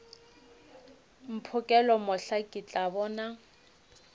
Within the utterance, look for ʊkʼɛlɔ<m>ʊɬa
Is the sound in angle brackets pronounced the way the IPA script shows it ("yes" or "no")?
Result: yes